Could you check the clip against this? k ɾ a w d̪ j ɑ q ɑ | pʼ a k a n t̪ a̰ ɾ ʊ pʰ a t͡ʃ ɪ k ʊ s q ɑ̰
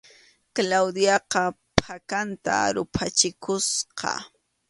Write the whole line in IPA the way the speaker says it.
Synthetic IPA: k l a w d̪ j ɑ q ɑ | p a k a n t̪ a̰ ɾ ʊ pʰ a t͡ʃ ɪ k ʊ s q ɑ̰